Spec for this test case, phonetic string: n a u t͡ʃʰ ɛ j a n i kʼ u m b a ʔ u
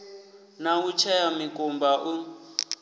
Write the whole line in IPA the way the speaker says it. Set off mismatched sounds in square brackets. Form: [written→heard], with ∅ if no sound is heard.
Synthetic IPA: n a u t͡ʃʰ ɛ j a [n→m] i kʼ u m b a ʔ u